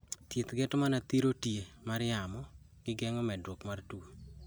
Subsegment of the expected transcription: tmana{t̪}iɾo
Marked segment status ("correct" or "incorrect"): correct